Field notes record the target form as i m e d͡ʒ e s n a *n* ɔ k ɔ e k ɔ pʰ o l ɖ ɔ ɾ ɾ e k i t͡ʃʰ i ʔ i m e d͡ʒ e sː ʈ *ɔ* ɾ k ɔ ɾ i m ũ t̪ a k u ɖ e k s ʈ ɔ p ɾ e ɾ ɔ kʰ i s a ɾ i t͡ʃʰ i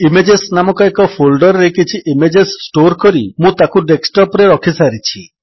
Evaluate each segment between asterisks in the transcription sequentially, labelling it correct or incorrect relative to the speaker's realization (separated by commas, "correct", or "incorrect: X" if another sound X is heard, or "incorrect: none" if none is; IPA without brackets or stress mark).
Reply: incorrect: m, incorrect: o